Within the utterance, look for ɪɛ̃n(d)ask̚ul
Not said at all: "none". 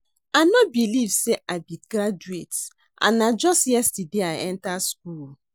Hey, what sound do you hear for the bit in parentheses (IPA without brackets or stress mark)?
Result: t